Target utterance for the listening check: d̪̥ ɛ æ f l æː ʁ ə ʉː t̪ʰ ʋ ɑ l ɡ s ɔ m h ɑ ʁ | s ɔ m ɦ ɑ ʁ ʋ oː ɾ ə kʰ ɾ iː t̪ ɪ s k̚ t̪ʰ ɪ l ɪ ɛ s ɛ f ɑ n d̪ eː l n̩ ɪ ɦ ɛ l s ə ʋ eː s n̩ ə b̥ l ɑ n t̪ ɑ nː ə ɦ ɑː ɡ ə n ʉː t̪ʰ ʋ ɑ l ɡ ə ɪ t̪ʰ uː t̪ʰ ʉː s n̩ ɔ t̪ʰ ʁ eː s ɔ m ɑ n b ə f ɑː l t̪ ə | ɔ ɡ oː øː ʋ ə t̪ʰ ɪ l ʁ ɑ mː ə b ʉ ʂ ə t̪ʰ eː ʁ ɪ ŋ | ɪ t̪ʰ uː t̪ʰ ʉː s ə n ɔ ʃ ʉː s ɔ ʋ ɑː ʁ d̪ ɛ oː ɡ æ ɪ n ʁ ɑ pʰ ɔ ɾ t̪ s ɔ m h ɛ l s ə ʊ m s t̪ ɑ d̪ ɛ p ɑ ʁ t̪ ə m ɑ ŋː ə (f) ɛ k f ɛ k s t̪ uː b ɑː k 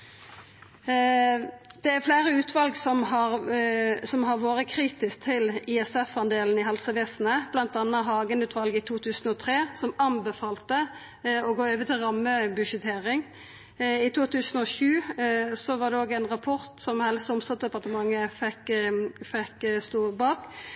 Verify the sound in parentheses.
correct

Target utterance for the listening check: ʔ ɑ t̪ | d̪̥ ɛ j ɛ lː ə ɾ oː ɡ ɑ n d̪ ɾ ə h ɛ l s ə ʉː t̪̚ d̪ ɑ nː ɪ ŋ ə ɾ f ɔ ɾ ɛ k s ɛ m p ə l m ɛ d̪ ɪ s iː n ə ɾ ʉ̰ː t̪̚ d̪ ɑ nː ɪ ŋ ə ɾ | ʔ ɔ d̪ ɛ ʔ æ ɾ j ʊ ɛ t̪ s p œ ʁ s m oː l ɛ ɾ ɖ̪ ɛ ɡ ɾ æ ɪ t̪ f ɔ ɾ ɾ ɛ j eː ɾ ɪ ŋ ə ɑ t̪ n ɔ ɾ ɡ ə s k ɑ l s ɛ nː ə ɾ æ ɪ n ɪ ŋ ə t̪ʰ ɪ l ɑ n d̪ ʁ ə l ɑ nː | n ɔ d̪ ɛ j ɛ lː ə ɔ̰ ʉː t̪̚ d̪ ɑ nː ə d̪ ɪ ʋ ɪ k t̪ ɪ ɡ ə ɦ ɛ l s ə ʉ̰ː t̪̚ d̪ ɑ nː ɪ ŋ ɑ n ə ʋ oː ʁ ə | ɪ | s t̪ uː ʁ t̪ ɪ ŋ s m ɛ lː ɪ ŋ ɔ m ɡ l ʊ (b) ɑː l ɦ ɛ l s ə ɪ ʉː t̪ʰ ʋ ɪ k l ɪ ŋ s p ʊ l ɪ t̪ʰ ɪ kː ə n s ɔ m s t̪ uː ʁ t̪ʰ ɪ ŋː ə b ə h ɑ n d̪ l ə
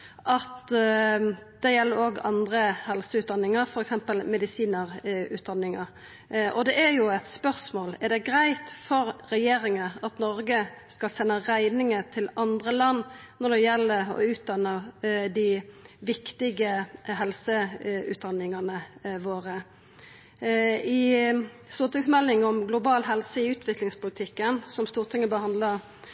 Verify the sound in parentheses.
correct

